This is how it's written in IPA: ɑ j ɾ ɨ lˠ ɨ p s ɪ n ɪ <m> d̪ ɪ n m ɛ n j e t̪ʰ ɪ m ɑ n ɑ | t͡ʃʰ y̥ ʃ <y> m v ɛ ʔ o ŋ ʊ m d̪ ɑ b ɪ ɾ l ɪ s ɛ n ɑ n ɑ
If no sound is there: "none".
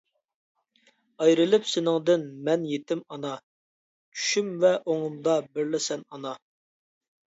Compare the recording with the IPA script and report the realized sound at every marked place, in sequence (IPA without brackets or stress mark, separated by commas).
ŋ, y